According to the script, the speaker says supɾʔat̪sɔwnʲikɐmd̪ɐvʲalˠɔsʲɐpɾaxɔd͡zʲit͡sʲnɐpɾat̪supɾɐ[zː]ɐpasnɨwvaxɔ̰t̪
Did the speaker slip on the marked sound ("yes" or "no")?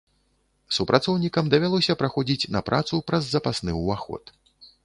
no